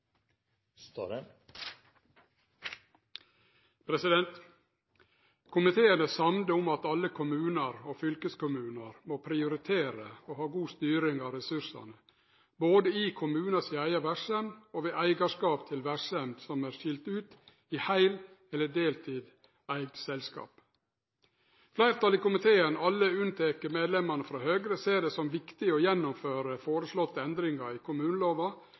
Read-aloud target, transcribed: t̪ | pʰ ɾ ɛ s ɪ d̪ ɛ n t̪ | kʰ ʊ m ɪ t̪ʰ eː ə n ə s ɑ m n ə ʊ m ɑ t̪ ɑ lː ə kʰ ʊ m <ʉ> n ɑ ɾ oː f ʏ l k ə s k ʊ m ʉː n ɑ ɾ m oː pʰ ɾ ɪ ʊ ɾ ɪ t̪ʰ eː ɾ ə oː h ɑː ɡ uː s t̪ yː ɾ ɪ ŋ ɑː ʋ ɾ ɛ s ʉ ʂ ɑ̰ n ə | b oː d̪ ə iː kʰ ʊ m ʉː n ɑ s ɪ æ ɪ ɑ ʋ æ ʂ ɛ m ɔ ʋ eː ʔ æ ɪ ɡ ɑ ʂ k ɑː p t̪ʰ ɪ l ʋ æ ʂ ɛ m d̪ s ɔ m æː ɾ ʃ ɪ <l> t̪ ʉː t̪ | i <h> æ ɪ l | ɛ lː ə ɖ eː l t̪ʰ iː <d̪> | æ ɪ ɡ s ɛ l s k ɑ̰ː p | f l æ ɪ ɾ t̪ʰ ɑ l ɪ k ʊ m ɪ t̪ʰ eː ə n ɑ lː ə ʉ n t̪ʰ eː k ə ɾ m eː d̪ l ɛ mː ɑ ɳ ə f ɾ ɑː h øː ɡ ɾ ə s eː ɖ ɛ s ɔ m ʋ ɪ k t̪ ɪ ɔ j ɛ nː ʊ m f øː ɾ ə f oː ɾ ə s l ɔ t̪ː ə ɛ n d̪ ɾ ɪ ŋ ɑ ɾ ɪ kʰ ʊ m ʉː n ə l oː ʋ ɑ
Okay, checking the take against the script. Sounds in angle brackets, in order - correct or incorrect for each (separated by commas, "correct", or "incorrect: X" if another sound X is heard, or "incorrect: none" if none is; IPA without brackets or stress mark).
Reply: incorrect: ʉː, correct, correct, correct